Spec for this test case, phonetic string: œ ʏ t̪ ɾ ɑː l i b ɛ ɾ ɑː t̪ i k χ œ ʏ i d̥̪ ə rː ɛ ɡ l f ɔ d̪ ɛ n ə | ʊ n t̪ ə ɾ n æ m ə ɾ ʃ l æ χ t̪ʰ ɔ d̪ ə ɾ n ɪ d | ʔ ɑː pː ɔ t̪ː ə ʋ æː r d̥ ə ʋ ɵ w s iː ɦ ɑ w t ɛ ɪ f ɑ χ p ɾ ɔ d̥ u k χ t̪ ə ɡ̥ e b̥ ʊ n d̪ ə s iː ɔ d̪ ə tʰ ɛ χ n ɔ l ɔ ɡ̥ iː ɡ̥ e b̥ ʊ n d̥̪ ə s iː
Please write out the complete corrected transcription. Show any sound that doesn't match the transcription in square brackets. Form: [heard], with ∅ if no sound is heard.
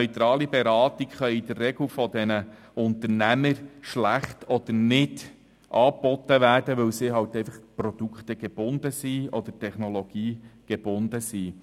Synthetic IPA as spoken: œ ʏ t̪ ɾ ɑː l i b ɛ ɾ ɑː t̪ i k χ œ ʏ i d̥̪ ə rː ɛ ɡ l f ɔ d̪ ɛ n ə | ʊ n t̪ ə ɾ n æ m ə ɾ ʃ l æ χ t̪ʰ ɔ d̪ ə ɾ n ɪ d | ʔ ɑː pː ɔ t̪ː ə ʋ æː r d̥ ə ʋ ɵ w s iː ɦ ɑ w t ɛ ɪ f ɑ χ p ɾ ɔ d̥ u k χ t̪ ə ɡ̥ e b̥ ʊ n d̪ ə s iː ɔ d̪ ə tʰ ɛ χ n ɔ l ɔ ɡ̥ iː ɡ̥ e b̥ ʊ n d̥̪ ə s iː